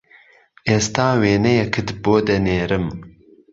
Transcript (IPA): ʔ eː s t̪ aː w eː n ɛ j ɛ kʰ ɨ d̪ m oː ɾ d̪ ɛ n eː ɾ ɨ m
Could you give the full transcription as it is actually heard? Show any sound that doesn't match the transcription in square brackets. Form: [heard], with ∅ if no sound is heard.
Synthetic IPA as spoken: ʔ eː s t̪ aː w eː n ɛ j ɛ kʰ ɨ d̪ [b] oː [∅] d̪ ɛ n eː ɾ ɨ m